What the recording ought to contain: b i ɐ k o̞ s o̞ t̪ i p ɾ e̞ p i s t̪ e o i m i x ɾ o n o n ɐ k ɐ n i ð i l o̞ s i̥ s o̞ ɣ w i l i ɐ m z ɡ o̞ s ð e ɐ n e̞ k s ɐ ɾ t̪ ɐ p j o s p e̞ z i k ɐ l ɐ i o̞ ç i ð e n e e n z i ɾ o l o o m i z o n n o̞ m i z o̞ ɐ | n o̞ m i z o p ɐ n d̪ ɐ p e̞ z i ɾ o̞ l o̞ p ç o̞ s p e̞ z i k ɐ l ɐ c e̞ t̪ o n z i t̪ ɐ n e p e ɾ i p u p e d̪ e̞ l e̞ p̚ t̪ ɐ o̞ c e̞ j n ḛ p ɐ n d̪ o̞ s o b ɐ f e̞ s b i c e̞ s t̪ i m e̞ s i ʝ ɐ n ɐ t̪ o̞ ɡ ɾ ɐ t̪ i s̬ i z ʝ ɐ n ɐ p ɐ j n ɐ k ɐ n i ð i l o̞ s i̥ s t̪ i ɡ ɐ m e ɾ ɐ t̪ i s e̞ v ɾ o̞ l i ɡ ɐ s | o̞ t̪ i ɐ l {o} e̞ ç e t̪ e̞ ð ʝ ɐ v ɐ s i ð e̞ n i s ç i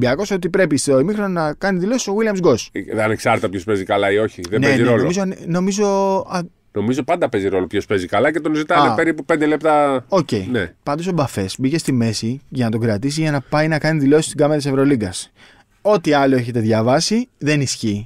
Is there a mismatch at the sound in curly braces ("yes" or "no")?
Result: no